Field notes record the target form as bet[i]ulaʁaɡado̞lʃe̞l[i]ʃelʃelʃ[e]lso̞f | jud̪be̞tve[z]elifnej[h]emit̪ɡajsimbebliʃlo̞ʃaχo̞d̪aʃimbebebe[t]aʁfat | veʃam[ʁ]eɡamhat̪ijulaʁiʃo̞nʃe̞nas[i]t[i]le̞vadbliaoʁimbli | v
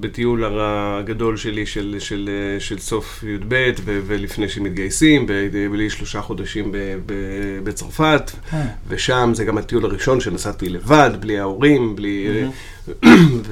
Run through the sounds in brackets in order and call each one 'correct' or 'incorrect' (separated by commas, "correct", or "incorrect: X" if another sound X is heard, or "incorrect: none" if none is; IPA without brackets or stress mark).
correct, correct, correct, incorrect: v, incorrect: ʃ, incorrect: t͡s, incorrect: z, incorrect: a, correct